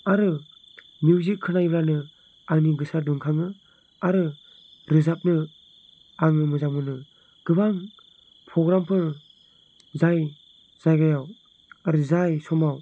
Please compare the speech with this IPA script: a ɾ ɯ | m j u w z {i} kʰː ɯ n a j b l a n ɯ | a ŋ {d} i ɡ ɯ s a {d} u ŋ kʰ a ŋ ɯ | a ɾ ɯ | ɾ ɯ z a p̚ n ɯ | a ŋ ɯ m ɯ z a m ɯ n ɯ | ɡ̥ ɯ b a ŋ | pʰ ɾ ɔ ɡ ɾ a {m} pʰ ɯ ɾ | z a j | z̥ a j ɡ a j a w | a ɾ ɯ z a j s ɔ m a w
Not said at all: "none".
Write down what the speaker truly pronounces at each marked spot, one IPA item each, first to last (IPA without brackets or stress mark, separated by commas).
i, n, d, m